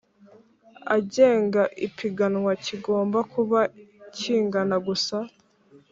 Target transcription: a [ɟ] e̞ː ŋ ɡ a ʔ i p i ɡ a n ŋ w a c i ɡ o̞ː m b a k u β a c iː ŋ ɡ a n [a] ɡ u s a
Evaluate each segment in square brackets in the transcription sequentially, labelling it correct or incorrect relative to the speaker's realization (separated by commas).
correct, correct